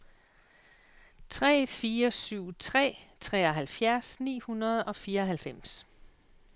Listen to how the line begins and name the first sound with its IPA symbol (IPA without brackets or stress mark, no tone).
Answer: t͡sʰ